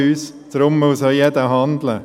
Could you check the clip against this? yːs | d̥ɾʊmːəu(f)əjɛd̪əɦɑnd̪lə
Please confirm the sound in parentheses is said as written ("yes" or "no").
no